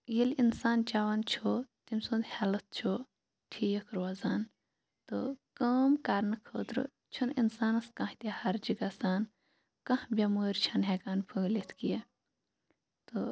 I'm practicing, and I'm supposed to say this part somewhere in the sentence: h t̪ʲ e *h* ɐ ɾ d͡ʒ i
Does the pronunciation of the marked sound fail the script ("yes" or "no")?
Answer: no